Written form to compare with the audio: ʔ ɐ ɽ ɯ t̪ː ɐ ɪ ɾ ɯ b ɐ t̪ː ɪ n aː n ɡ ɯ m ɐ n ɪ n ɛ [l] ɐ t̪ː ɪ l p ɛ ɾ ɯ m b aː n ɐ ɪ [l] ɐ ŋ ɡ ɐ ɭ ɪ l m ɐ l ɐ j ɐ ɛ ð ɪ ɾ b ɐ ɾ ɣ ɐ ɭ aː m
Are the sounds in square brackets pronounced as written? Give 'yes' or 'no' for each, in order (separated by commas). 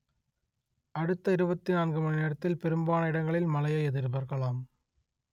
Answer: no, no